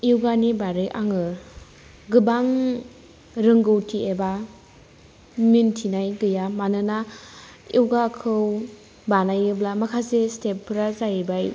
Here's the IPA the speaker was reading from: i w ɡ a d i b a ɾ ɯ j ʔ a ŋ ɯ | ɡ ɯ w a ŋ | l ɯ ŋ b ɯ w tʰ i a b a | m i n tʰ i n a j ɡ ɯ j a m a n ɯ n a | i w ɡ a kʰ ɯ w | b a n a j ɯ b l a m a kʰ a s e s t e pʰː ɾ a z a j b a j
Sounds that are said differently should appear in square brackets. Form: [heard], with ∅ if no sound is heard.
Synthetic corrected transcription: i w ɡ a [n] i b a ɾ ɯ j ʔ a ŋ ɯ | ɡ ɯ [b] a ŋ | [ɾ] ɯ ŋ [ɡ] ɯ w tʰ i [e] b a | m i n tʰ i n a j ɡ ɯ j a m a n ɯ n a | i w ɡ a kʰ ɯ w | b a n a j ɯ b l a m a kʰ a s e s t e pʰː ɾ a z a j b a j